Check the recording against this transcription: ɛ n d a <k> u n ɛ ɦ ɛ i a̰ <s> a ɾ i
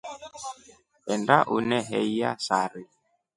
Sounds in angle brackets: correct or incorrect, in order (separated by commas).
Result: incorrect, correct